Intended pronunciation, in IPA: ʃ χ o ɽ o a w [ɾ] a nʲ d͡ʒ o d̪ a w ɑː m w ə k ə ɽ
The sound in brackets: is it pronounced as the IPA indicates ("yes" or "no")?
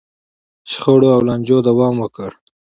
no